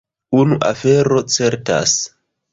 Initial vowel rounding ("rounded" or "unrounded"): rounded